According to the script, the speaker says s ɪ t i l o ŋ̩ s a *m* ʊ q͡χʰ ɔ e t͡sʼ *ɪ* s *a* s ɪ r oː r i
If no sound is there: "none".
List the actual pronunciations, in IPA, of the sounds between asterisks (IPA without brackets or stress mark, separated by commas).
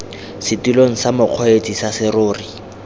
m, i, a